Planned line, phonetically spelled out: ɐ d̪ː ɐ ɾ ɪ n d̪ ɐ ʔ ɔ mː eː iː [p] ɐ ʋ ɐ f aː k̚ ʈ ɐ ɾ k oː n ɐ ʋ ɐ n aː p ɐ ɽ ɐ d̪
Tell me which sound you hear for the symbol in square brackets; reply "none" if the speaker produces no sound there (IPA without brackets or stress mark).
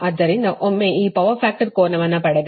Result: p